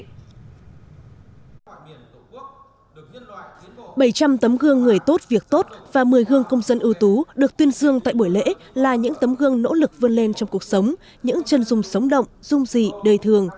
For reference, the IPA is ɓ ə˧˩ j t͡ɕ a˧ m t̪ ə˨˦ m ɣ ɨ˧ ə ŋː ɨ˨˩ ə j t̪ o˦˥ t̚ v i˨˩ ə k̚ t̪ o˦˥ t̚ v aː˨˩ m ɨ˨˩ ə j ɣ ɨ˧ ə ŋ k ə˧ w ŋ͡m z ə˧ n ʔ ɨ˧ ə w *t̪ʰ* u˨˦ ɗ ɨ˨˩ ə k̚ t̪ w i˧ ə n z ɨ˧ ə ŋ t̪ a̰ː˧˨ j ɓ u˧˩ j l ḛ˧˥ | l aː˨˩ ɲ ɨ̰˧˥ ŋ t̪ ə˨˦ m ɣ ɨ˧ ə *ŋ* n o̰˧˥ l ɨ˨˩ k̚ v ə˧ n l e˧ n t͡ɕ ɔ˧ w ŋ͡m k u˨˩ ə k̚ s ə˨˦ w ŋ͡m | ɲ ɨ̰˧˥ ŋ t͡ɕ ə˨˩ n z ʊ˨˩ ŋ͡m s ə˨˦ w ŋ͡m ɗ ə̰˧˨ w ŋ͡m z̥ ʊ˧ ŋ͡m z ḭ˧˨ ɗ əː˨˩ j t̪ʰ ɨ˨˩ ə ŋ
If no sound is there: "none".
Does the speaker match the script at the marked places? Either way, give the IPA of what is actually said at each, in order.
t̪, ŋ

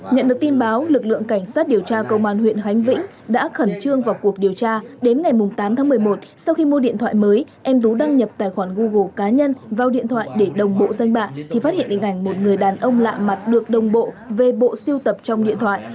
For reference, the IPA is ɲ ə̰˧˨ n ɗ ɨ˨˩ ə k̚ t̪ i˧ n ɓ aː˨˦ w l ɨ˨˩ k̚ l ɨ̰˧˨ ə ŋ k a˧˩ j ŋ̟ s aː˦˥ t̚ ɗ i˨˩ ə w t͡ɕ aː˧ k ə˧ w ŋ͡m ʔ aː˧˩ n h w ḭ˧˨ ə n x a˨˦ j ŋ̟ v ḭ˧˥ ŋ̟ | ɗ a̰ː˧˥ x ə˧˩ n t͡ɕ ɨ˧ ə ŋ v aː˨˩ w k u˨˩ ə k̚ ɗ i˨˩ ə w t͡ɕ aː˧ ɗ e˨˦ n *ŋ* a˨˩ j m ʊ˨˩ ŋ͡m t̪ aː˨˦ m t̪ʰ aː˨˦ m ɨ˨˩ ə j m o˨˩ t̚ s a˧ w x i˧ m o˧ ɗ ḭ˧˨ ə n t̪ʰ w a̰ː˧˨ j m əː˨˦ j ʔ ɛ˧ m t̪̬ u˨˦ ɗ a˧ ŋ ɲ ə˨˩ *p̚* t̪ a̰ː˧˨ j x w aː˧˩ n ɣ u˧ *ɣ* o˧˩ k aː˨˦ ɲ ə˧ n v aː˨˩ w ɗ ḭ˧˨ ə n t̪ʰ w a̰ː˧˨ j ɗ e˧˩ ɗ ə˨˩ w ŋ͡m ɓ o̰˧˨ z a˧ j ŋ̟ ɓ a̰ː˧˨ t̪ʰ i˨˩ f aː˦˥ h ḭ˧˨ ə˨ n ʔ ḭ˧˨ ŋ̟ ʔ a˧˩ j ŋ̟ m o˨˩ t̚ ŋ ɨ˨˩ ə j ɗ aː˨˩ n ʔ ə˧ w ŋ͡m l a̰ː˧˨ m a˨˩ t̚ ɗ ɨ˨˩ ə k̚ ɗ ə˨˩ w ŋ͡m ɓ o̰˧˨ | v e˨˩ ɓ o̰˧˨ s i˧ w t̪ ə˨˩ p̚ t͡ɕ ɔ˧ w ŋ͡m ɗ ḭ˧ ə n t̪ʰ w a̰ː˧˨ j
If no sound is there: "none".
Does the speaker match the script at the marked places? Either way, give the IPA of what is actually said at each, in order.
ŋ, p̚, ɣ

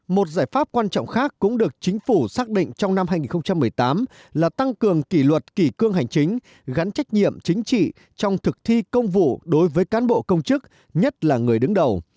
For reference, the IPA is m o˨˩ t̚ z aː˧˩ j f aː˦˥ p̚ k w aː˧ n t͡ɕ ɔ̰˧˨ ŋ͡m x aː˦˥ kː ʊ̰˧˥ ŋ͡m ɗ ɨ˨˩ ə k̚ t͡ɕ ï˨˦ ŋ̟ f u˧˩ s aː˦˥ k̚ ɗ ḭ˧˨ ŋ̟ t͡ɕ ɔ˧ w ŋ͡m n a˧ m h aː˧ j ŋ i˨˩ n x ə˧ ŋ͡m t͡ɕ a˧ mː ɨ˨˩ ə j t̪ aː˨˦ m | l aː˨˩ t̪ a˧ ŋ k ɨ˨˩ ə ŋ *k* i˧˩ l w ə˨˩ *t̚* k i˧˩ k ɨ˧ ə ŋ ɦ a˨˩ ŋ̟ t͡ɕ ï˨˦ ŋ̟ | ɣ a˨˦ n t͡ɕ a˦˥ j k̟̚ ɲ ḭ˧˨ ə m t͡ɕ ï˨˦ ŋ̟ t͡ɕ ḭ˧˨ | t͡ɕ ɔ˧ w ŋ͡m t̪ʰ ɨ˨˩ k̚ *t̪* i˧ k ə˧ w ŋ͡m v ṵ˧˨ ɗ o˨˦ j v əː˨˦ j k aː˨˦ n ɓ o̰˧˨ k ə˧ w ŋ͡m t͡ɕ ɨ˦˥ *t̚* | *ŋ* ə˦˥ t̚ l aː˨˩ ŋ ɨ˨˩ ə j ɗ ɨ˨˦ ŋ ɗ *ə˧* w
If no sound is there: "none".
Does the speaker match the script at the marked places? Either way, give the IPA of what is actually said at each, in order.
k, t̚, t̪ʰ, k̚, ɲ, ə˨˩

